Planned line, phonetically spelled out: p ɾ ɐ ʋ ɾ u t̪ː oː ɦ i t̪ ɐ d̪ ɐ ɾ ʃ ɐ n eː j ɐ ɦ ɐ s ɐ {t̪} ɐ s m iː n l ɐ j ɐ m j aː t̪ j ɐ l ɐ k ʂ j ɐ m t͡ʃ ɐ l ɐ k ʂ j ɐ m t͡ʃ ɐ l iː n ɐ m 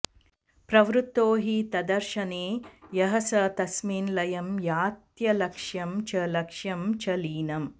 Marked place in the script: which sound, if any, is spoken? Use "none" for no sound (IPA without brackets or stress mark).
t̪